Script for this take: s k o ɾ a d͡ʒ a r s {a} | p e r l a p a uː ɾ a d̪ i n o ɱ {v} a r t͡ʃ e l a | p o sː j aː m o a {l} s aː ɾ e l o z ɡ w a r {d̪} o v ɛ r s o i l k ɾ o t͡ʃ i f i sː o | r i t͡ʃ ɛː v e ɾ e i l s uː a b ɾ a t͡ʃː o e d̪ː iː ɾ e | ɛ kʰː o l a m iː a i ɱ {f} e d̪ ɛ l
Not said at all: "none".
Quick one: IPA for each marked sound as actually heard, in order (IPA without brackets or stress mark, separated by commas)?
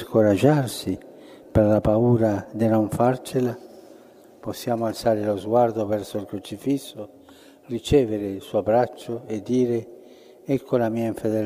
i, f, l, d̪, f